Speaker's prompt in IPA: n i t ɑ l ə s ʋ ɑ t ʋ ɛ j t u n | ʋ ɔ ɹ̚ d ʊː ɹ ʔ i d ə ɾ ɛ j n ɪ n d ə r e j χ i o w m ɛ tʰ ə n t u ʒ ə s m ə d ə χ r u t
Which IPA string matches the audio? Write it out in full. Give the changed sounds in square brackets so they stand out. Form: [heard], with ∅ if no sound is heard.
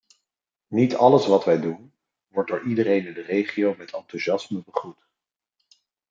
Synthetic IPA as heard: n i t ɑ l ə s ʋ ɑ t ʋ ɛ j [d] u n | ʋ ɔ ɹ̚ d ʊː ɹ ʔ i d ə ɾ [e] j n ɪ n d ə r e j χ i o w m ɛ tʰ [ɑ] n t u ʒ [ɑ] s m ə [b] ə χ r u t